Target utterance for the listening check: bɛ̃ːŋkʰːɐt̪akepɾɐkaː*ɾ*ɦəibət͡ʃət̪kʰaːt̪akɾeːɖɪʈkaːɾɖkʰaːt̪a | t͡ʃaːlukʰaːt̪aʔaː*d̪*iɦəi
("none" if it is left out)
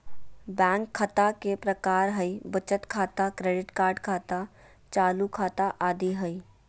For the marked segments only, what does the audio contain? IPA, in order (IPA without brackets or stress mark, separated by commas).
ɾ, d̪